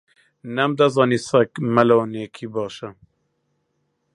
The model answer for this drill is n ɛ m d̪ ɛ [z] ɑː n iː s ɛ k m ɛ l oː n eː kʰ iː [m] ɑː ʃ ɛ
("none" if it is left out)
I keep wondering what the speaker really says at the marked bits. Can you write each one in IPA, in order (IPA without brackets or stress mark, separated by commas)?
z, b